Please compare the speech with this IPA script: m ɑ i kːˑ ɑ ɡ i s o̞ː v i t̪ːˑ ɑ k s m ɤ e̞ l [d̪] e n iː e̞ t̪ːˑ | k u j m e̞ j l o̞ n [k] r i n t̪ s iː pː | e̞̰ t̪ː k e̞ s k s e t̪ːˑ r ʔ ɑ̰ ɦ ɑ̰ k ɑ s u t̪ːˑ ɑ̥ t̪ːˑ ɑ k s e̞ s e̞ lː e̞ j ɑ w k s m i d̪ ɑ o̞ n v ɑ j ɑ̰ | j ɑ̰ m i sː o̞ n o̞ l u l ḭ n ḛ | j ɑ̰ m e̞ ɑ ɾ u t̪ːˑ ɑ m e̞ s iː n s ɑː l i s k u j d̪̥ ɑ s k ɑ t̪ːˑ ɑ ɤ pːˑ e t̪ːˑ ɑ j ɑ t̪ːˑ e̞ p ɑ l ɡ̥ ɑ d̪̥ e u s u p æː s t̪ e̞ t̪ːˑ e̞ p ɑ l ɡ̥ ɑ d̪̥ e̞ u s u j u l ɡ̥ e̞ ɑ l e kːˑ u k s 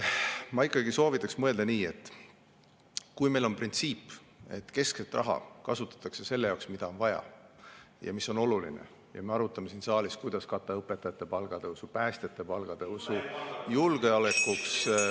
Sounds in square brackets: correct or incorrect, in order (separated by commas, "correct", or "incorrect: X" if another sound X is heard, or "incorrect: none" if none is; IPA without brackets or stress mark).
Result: correct, incorrect: p